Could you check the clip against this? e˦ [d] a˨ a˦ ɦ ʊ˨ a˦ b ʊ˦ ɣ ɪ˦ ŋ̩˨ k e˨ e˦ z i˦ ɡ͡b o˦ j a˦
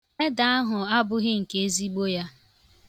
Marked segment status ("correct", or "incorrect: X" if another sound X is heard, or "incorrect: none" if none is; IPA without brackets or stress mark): correct